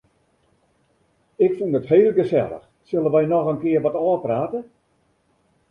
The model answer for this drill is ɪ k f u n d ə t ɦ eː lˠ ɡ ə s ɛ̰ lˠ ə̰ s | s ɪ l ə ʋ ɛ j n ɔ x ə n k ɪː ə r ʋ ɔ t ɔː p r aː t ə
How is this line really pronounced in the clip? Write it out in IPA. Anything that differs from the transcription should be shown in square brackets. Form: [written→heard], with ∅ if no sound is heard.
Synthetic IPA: ɪ k f u n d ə t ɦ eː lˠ ɡ ə s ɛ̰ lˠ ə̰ [s→x] | s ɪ l ə ʋ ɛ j n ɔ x ə n k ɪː ə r ʋ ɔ t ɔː p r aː t ə